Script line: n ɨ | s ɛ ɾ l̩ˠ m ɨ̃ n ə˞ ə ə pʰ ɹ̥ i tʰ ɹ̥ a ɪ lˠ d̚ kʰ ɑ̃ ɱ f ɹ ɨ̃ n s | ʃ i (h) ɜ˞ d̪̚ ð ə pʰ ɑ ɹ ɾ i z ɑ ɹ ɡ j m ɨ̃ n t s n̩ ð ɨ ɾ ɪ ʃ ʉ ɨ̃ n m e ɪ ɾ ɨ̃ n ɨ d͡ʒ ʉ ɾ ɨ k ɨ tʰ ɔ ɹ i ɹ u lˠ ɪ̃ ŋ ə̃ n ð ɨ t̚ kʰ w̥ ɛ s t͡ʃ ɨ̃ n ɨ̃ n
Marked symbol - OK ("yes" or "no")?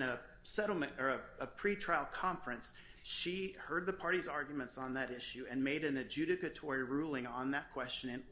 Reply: yes